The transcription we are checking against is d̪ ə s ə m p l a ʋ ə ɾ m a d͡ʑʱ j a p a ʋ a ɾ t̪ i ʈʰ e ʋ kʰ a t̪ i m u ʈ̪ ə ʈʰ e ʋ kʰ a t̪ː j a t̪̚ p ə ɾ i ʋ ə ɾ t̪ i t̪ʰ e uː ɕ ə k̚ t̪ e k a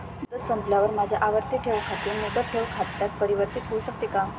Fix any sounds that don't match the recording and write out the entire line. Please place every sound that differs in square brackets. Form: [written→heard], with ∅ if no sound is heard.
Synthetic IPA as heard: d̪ ə s ə m p l a ʋ ə ɾ m a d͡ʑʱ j a [p→ʔ] a ʋ [a→ə] ɾ t̪ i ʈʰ e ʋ kʰ a t̪ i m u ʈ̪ ə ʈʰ e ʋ kʰ a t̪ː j a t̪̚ p ə ɾ i ʋ ə ɾ t̪ i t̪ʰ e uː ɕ ə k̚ t̪ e k a